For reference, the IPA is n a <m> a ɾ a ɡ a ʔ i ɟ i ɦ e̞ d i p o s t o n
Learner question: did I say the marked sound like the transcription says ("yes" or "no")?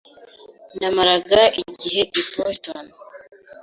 yes